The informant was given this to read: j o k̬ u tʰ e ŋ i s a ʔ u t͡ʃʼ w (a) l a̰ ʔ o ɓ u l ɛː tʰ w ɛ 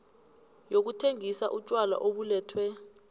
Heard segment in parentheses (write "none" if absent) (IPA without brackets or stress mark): a